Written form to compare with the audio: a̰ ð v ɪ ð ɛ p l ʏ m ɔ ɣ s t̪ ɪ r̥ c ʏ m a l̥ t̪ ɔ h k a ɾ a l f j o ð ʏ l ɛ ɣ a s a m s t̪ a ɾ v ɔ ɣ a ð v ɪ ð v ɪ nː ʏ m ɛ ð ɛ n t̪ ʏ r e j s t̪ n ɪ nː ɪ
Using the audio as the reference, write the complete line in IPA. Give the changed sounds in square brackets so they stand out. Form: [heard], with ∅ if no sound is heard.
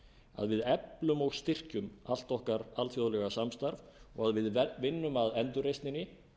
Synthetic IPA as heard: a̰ ð v ɪ ð ɛ p l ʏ m ɔ ɣ s t̪ ɪ r̥ c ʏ m a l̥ t̪ ɔ h k a ɾ a l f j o ð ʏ l ɛ ɣ a s a m s t̪ a ɾ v ɔ ɣ a ð v ɪ ð v ɪ nː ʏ m [a] ð ɛ n t̪ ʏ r e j s t̪ n ɪ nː ɪ